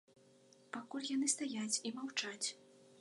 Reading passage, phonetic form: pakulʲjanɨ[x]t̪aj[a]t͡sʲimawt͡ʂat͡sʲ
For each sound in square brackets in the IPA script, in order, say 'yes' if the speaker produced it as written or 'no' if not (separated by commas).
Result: no, yes